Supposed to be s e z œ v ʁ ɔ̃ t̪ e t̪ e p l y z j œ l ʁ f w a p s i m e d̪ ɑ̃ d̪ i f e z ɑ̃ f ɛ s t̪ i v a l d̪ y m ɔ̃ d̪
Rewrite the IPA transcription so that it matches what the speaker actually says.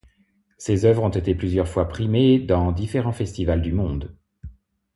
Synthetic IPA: s e z œ v ʁ ɔ̃ t̪ e t̪ e p l y z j œ ʁ f w a p χ i m e d̪ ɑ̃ d̪ i f e ʁ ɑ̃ f ɛ s t̪ i v a l d̪ y m ɔ̃ d̪